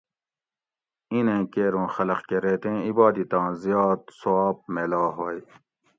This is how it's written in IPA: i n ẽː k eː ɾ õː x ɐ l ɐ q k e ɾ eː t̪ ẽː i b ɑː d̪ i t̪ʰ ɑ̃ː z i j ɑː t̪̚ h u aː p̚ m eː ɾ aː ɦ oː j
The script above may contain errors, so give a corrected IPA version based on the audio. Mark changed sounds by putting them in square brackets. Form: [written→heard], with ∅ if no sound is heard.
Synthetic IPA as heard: i n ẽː k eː ɾ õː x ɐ l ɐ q k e ɾ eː t̪ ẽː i b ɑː d̪ i [t̪ʰ→t̪] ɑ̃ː z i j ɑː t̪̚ [h→s] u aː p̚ m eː [ɾ→l] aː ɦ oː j